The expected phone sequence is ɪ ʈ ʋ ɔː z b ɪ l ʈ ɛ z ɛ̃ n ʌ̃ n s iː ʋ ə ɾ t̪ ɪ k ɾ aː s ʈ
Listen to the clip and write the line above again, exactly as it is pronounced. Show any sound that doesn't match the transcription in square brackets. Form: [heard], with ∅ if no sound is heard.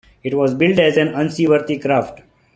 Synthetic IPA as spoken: ɪ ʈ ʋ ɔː z b ɪ l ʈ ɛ z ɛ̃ n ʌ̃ n s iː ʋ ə ɾ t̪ [i] k ɾ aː [f] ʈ

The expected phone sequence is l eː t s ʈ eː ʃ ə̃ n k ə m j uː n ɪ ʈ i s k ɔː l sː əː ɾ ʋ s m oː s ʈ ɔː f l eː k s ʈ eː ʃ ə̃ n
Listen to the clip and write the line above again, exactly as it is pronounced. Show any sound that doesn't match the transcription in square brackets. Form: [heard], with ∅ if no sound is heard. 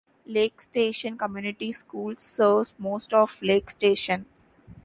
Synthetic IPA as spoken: l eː [k] s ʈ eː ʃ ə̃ n k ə m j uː n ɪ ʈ i s k [uː] l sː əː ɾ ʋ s m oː s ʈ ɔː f l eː k s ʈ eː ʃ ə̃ n

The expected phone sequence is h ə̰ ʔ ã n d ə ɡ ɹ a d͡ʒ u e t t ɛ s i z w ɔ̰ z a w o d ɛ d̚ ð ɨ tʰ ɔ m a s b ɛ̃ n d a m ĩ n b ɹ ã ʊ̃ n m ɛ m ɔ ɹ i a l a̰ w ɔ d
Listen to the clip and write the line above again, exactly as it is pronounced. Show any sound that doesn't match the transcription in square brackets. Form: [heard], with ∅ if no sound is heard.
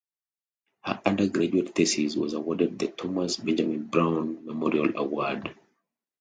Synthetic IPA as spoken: h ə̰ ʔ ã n d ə ɡ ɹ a d͡ʒ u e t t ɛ s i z w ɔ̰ z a w [ɔ] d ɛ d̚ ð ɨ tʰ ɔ m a s b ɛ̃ n [d͡ʒ] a m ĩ n b ɹ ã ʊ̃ n m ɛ m ɔ ɹ i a l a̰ w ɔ d

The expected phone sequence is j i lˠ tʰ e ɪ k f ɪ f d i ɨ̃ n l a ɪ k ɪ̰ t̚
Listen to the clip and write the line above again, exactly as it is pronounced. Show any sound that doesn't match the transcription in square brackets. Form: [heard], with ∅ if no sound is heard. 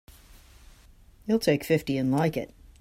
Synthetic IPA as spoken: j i lˠ tʰ e ɪ k f ɪ f [t] i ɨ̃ n l a ɪ k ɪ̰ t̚

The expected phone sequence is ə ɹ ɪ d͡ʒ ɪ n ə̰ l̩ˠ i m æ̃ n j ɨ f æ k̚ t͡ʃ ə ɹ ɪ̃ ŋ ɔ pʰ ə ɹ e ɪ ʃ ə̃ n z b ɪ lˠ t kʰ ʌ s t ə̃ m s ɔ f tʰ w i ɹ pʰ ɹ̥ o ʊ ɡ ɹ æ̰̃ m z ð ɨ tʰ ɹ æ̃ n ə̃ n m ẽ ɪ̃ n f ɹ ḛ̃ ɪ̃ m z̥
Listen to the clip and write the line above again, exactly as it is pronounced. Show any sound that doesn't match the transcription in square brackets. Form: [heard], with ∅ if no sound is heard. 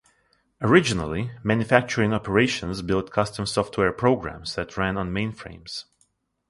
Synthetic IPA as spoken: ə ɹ ɪ d͡ʒ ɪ n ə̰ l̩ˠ i m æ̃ n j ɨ f æ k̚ t͡ʃ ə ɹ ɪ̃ ŋ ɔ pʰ ə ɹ e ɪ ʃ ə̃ n z b ɪ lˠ t kʰ ʌ s t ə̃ m s ɔ f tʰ w [ɛ] ɹ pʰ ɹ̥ o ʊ ɡ ɹ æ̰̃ m z ð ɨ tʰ ɹ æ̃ n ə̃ n m ẽ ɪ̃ n f ɹ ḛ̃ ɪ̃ m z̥

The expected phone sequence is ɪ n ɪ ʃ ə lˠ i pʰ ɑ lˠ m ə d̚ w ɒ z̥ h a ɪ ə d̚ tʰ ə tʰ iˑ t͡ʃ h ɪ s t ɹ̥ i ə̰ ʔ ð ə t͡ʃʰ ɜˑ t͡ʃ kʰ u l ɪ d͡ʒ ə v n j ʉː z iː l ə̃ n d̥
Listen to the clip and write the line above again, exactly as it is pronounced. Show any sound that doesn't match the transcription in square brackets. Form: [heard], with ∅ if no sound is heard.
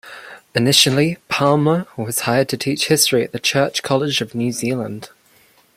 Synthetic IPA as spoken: ɪ n ɪ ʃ ə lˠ i pʰ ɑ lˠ m ə [∅] w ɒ z̥ h a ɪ ə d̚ tʰ ə tʰ iˑ t͡ʃ h ɪ s t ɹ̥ i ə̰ ʔ ð ə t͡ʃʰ ɜˑ t͡ʃ kʰ [ɒ] l ɪ d͡ʒ ə v n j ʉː z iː l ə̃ n d̥

